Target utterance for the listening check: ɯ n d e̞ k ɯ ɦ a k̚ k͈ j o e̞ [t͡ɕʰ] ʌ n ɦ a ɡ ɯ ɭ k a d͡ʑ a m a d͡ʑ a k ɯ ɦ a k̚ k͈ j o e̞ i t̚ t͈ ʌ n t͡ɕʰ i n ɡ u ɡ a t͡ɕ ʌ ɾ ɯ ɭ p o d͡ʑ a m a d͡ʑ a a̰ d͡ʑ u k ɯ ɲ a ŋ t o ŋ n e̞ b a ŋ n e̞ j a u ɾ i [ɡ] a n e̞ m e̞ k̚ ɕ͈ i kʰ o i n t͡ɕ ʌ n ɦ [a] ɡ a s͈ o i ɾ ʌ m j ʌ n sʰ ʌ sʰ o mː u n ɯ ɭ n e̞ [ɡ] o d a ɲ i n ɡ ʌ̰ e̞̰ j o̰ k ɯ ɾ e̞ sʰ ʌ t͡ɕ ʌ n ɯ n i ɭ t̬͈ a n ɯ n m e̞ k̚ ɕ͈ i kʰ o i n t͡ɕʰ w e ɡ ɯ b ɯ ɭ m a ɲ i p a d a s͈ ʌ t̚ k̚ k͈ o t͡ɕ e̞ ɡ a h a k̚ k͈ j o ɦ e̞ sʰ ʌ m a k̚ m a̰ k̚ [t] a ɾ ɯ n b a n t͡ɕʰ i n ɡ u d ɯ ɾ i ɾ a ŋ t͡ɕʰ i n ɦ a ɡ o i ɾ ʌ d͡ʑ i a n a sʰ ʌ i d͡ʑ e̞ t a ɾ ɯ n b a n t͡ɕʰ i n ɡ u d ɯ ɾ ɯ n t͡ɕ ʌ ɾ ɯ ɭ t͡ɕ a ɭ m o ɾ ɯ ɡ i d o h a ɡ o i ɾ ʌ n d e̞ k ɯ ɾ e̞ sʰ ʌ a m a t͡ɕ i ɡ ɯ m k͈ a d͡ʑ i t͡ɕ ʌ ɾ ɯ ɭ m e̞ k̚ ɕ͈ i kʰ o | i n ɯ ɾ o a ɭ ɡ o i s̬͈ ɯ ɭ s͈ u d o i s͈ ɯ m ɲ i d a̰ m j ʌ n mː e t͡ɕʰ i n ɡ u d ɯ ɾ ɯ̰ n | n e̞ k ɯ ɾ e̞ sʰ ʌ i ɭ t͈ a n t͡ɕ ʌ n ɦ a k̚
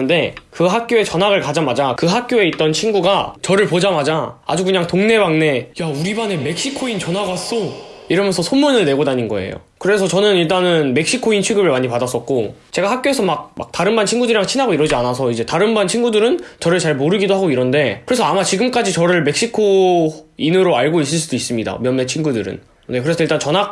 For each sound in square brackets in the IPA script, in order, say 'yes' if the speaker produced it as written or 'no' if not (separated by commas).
no, no, yes, yes, yes